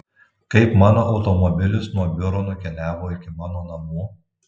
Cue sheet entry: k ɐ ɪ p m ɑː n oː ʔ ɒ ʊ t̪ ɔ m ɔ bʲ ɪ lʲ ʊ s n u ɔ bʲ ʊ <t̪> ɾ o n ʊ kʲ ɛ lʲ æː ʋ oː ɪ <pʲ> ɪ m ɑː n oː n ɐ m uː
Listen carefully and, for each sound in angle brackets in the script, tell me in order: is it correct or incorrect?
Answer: incorrect, incorrect

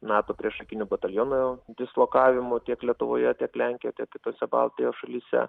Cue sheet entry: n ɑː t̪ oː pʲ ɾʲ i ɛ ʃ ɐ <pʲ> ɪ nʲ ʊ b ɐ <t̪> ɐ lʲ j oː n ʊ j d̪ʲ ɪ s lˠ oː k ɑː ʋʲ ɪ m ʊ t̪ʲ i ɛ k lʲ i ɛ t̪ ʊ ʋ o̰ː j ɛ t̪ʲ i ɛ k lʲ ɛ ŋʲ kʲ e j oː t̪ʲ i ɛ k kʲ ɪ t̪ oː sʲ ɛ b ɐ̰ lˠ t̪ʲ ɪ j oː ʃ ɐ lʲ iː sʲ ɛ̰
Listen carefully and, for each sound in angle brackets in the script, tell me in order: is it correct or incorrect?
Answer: incorrect, correct

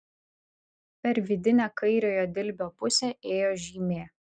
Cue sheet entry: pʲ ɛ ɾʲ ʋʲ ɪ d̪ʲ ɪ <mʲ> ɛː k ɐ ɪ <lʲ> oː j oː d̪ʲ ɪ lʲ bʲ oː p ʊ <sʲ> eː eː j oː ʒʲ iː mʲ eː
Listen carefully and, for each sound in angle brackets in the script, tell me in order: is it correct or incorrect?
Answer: incorrect, incorrect, correct

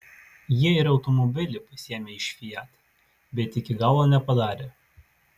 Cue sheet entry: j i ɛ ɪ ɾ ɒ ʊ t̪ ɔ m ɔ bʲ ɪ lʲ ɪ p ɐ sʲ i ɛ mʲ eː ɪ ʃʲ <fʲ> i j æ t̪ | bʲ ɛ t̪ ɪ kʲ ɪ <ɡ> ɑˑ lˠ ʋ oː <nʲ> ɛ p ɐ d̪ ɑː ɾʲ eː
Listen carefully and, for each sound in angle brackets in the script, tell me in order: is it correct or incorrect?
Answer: correct, correct, correct

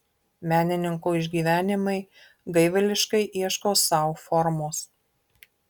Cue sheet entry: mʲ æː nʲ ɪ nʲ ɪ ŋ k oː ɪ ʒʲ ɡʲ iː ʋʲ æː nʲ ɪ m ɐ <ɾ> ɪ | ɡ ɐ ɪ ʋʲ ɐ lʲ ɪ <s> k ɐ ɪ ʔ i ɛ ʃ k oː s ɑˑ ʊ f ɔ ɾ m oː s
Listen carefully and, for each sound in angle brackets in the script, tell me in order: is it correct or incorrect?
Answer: incorrect, incorrect

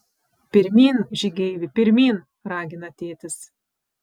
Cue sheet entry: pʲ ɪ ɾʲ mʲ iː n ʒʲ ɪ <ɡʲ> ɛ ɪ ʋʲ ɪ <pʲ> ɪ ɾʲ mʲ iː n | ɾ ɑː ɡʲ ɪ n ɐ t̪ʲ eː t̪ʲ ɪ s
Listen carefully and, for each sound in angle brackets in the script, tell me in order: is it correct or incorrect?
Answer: correct, correct

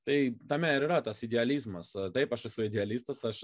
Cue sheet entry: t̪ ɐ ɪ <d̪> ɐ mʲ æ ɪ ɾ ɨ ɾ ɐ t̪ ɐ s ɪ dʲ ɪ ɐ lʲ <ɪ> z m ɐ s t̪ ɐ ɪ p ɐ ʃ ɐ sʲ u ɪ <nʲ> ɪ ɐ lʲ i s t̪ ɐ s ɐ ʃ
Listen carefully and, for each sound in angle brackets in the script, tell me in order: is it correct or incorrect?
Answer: incorrect, incorrect, incorrect

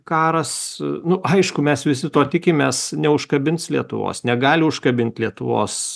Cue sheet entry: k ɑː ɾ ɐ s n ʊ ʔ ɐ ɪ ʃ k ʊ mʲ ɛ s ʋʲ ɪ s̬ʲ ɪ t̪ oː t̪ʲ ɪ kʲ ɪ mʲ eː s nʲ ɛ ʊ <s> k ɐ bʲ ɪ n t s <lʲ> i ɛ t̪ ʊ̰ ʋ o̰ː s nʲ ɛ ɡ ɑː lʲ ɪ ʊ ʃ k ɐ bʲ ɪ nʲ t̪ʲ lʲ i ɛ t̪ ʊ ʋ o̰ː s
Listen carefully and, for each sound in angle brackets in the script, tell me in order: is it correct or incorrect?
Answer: incorrect, correct

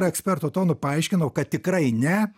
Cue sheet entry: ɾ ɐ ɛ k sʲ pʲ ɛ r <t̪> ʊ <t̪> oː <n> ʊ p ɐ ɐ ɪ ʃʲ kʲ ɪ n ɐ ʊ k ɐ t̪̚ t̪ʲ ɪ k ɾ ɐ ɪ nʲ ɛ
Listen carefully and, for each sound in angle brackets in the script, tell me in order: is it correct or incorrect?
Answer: correct, correct, correct

